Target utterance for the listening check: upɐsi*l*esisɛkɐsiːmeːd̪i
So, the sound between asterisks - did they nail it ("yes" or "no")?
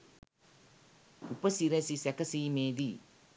no